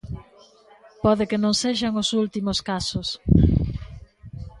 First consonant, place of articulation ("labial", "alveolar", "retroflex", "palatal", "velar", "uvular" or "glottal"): labial